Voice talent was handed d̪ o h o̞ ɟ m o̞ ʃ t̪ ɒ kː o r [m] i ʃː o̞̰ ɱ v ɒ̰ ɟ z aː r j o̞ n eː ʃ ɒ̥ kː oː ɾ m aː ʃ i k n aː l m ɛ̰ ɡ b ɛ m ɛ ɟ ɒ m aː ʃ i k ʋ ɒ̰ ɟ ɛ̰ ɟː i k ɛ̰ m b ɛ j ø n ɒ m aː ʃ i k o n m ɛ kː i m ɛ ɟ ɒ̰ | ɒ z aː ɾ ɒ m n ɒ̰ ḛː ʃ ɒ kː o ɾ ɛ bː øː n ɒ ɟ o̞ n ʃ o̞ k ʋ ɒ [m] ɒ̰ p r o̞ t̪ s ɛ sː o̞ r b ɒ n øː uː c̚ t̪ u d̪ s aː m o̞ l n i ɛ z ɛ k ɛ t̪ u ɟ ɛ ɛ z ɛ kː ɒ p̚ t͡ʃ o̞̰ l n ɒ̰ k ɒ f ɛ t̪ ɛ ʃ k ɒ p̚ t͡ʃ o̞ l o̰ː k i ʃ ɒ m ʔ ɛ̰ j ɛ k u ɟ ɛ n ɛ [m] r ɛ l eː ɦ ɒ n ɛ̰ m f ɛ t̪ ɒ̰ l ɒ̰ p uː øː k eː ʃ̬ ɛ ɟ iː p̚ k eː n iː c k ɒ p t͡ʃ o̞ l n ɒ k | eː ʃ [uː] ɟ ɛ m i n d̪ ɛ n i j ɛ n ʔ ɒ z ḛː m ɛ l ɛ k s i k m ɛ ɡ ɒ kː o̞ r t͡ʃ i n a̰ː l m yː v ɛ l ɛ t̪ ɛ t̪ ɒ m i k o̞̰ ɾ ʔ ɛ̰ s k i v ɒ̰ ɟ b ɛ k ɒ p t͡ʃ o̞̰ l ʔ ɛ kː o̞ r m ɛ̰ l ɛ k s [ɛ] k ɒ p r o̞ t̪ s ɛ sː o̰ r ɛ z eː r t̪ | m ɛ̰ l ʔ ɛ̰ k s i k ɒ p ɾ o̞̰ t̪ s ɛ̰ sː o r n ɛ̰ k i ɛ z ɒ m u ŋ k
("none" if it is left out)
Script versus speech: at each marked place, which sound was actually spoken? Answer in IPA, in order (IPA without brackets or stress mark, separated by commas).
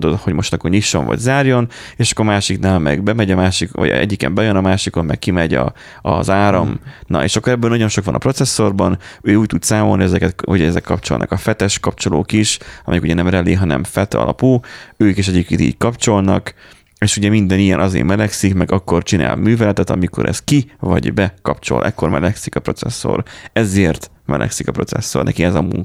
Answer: ɲ, n, m, u, i